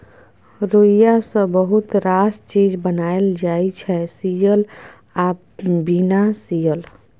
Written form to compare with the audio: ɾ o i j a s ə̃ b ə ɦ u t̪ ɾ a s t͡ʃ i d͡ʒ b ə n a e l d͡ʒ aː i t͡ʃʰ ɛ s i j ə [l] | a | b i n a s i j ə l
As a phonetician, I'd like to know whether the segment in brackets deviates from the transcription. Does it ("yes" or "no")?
no